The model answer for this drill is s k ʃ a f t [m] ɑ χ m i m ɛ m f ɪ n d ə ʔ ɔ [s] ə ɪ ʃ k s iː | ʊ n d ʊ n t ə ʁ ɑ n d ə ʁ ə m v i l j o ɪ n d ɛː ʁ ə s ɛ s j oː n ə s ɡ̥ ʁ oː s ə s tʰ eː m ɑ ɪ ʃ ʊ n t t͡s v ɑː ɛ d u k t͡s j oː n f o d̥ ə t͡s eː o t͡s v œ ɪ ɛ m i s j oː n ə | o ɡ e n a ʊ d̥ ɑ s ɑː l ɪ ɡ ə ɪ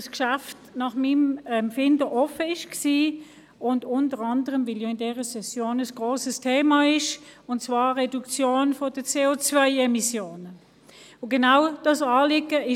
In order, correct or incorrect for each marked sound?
incorrect, incorrect

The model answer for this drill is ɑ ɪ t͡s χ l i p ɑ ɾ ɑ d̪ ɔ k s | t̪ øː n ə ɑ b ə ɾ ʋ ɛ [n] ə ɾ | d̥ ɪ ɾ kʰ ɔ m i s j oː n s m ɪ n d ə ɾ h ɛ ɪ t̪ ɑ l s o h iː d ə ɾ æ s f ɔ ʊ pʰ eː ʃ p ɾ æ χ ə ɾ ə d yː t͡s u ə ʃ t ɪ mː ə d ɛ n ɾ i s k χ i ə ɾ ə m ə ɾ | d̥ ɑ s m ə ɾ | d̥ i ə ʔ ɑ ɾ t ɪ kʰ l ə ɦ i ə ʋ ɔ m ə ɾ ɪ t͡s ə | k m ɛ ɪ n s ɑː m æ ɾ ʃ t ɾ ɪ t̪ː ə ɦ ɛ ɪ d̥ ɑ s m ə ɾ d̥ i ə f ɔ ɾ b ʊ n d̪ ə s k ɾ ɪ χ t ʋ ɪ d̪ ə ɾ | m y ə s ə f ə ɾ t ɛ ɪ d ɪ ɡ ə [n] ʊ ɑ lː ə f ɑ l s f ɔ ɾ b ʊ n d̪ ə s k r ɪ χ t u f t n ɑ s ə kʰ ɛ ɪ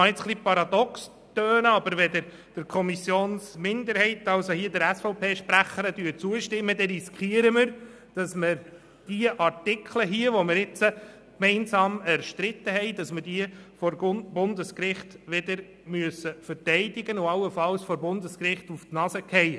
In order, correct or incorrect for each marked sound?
incorrect, correct

